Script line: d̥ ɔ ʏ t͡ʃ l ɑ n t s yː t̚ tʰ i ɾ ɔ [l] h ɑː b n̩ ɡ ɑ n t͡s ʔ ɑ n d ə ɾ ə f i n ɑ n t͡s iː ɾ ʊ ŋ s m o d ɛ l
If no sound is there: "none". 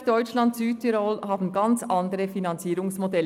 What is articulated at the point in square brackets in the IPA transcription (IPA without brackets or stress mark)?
l